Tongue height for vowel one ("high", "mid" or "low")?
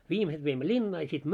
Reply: high